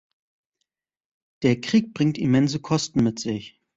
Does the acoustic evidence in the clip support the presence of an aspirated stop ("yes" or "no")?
yes